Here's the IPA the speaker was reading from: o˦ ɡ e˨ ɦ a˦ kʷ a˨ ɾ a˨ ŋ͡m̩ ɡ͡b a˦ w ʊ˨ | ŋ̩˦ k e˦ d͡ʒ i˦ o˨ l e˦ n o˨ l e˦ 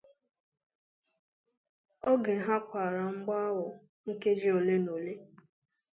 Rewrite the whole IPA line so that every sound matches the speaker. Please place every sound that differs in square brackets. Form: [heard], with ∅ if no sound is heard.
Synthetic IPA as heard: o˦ ɡ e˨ ɦ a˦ kʷ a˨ ɾ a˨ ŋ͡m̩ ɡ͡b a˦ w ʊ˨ | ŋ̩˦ k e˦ d͡ʒ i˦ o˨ l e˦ n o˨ l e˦

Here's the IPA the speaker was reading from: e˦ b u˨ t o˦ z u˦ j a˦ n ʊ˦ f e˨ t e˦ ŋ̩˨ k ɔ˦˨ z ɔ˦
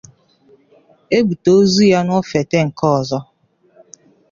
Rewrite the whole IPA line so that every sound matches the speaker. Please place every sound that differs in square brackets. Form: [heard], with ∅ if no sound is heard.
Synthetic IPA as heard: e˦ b u˨ t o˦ z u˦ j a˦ n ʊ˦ f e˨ t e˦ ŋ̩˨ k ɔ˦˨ z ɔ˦

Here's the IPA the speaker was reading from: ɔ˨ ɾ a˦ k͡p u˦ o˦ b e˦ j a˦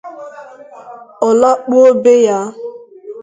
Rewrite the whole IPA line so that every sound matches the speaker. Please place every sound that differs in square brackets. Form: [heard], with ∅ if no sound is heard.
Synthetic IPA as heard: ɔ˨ [l] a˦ k͡p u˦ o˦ b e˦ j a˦

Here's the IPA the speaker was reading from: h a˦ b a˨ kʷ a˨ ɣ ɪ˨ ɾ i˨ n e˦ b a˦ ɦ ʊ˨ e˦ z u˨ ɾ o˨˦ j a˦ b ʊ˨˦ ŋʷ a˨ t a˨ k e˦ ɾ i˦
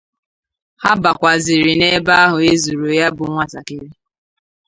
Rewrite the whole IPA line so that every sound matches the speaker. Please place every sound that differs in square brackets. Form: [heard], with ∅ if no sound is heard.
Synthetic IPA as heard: h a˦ b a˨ kʷ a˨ [z] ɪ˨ ɾ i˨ n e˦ b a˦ ɦ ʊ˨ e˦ z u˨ ɾ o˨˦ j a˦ b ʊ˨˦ ŋʷ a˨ t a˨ k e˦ ɾ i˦

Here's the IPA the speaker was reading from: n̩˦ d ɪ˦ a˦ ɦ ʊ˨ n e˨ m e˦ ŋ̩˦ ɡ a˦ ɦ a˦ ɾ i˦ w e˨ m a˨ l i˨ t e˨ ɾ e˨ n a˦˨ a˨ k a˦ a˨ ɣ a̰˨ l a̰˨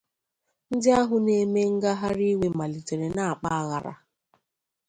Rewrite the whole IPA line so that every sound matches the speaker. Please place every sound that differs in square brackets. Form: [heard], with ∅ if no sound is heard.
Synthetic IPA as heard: n̩˦ d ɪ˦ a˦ ɦ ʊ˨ n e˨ m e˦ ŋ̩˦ ɡ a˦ ɦ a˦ ɾ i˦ w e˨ m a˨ l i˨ t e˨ ɾ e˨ n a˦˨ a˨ [k͡p] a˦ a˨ ɣ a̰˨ [ɾ] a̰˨

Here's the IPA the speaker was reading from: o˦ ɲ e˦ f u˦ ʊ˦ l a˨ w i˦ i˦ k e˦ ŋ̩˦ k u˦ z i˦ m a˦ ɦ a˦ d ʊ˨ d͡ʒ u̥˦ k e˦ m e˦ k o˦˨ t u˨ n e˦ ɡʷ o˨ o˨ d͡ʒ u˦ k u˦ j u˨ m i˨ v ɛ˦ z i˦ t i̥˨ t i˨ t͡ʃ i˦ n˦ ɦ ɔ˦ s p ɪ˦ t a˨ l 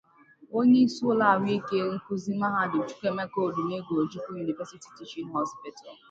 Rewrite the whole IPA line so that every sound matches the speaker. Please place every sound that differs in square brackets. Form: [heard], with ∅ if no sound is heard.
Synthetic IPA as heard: o˦ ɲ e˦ [s] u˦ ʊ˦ l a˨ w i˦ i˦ k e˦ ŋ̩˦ k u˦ z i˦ m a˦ ɦ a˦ d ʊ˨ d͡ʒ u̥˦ k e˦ m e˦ k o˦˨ [d] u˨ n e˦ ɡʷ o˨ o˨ d͡ʒ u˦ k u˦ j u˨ [n] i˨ v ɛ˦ [s] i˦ t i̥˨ t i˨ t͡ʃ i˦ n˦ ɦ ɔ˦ s p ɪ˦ t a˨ l

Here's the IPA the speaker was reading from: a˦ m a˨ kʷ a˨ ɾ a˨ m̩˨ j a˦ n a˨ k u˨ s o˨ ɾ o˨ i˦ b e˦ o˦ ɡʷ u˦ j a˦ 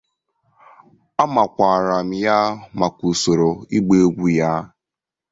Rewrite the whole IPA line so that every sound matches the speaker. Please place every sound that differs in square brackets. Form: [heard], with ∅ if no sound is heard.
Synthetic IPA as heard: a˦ m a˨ kʷ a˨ ɾ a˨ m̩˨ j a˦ [m] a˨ k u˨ s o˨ ɾ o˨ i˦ [ɡ͡b] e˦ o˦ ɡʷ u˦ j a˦

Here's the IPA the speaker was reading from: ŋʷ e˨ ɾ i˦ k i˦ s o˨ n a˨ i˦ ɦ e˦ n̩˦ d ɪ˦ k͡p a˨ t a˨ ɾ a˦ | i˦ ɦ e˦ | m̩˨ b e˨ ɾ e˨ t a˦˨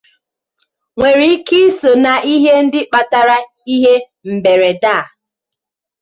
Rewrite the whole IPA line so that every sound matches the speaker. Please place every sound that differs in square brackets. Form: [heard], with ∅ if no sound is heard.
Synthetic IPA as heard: ŋʷ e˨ ɾ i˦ k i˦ s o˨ n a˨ i˦ ɦ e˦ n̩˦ d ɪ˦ k͡p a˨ t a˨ ɾ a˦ | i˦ ɦ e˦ | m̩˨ b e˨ ɾ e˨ [d] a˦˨

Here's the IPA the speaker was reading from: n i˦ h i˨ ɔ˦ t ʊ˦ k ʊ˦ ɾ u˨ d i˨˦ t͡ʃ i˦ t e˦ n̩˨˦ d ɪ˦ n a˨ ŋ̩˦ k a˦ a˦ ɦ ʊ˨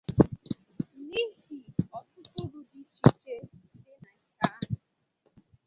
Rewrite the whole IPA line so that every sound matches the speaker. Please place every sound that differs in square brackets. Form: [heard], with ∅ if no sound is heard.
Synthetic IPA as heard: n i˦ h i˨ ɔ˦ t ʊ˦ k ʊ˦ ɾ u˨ d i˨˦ t͡ʃ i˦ [t͡ʃ] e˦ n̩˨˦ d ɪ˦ n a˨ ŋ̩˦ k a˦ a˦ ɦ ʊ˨

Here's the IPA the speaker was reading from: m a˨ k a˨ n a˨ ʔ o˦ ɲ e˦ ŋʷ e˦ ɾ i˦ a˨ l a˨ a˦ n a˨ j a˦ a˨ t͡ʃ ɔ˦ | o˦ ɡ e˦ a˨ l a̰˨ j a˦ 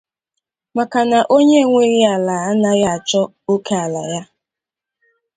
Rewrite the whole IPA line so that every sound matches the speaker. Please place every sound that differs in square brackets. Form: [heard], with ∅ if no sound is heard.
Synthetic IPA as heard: m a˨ k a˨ n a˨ ʔ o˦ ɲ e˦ ŋʷ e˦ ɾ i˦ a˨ l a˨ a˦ n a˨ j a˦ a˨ t͡ʃ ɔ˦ | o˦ [k] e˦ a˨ l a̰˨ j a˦

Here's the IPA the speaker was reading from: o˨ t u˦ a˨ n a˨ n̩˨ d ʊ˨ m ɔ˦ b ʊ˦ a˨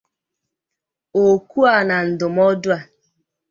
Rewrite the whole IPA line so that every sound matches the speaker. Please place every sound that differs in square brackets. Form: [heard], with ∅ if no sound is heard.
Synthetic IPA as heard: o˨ [k] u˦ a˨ n a˨ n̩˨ d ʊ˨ m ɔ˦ [d] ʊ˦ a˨

